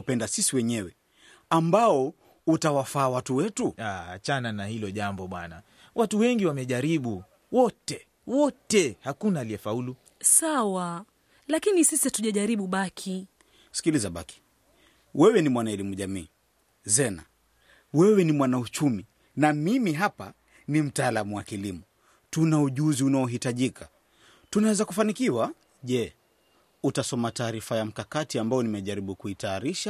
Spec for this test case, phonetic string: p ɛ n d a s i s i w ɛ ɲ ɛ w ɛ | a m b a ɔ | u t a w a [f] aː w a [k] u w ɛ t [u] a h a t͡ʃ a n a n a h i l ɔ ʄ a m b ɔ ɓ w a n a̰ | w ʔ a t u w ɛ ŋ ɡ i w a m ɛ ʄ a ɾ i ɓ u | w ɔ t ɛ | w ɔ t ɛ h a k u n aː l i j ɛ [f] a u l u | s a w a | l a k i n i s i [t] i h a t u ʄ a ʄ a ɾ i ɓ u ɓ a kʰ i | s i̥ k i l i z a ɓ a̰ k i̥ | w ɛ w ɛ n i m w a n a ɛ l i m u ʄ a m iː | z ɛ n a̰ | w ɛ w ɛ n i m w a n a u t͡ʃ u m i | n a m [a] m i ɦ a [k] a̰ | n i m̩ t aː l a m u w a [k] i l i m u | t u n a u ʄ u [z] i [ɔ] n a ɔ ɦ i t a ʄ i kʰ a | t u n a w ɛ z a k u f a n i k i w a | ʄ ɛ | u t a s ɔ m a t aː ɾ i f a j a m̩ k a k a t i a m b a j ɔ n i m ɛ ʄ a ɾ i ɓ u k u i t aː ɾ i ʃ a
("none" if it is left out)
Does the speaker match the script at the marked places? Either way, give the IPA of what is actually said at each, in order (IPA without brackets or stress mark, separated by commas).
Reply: f, t, u, f, s, i, p, k, z, u